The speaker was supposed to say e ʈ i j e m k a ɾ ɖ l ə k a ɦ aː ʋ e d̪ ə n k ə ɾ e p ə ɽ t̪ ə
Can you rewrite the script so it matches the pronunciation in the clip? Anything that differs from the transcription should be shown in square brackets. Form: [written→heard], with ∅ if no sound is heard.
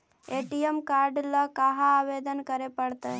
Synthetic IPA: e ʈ i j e m k a ɾ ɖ l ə k a ɦ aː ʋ e d̪ ə n k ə ɾ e p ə ɽ t̪ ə